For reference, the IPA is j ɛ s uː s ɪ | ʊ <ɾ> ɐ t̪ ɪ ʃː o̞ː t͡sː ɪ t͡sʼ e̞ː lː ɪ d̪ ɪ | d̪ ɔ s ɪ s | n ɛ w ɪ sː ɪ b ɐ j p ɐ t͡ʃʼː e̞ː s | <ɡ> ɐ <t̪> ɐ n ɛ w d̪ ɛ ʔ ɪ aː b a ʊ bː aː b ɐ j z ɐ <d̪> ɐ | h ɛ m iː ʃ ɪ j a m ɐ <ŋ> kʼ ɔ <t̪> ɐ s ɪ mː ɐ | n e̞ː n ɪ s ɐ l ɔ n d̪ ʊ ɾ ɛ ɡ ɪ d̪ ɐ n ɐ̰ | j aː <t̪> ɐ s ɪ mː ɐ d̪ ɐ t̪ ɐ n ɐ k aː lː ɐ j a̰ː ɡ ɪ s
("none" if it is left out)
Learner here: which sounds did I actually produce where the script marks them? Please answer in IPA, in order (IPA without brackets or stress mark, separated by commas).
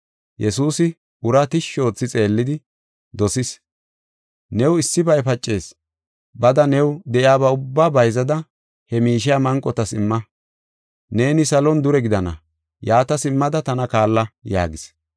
ɾ, b, d̪, d̪, ŋ, t̪, t̪